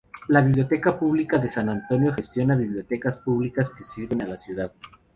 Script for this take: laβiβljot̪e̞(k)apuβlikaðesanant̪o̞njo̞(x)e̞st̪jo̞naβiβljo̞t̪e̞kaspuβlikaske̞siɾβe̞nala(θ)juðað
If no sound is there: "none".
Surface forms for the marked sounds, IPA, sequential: k, x, s

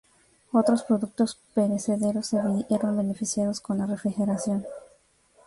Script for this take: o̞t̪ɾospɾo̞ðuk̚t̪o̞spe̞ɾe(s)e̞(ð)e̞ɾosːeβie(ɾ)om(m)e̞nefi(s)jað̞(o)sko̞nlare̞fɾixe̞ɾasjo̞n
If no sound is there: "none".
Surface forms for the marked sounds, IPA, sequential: s, ð, ɾ, b, s, o

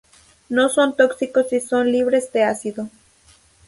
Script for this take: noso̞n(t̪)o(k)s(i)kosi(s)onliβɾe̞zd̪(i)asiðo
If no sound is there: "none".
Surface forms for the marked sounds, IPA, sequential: t̪, k, i, s, e

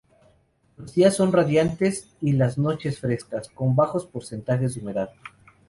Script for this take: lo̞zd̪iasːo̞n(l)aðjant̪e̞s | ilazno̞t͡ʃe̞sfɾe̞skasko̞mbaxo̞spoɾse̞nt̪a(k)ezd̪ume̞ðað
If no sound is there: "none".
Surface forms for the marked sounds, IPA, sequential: r, x

